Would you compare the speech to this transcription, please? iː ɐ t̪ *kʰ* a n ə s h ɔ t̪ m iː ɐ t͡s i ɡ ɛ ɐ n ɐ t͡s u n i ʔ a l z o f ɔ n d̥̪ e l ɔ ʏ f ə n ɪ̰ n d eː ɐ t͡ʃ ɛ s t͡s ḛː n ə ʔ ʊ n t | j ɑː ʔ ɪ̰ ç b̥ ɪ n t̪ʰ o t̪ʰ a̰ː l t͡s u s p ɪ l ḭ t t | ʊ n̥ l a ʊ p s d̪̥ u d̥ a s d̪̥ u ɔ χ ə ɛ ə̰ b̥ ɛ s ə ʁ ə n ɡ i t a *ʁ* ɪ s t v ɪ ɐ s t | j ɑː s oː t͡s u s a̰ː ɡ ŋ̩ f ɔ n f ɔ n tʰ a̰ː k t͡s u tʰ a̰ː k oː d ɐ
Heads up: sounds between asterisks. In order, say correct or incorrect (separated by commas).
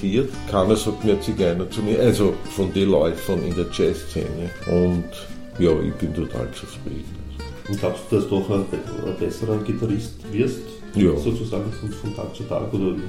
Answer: correct, correct